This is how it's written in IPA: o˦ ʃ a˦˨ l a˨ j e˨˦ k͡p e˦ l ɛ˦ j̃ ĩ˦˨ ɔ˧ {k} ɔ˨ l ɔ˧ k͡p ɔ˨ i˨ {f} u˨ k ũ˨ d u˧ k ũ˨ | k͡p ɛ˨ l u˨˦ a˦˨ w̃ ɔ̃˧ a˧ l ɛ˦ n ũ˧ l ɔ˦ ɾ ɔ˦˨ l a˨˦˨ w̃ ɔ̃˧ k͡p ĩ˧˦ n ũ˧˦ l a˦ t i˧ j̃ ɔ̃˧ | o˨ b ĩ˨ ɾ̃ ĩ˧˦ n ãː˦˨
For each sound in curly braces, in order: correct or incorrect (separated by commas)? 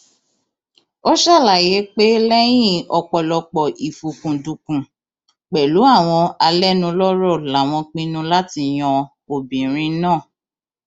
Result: incorrect, correct